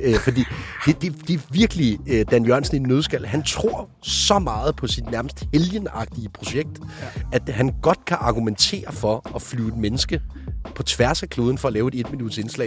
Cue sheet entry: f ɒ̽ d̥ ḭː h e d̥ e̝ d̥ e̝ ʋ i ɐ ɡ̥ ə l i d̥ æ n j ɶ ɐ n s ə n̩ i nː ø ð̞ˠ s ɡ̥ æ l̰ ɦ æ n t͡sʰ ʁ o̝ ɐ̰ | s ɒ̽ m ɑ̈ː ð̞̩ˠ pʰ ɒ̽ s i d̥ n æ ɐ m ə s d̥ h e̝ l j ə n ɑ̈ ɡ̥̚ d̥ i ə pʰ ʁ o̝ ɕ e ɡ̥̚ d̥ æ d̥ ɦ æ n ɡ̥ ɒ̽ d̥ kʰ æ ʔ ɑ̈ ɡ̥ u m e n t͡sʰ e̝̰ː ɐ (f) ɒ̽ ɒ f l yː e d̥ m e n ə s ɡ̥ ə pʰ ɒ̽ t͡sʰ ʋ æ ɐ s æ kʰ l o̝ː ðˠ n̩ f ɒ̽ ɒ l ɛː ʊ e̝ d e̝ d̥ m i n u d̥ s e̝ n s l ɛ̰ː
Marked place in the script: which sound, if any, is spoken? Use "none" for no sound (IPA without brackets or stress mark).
f